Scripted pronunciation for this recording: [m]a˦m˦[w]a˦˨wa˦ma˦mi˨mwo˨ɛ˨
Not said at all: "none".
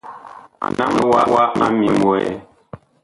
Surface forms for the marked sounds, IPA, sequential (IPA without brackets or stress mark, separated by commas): n, w